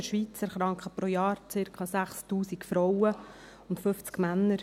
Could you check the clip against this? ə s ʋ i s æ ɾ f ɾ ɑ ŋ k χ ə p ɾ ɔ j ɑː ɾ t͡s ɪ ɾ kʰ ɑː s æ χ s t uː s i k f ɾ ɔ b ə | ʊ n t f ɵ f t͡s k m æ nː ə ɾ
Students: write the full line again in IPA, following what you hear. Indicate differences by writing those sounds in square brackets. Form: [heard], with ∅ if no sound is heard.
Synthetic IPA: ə [ʃ] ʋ i [t͡s] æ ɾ [χ] ɾ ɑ ŋ k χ ə p ɾ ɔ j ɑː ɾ t͡s ɪ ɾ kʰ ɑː s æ χ s t uː s i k f ɾ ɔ [w] ə | ʊ n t f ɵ f t͡s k m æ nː ə ɾ